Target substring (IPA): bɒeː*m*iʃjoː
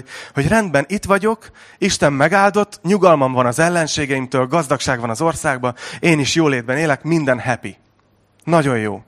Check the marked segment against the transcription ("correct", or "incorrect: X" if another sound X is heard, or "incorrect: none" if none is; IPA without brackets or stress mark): incorrect: n